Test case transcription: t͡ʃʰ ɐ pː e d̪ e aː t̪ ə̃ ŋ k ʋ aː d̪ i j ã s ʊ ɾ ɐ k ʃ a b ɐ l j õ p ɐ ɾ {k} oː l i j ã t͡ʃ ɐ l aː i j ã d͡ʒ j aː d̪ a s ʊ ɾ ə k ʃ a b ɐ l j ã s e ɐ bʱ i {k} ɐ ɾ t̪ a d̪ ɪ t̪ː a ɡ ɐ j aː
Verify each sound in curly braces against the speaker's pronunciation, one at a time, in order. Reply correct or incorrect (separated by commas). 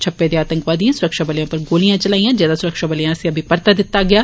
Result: incorrect, incorrect